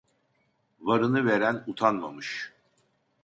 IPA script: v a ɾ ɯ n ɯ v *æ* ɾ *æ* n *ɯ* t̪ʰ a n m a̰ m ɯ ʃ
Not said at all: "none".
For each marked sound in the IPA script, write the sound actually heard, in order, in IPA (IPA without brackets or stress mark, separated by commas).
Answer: e, æ, u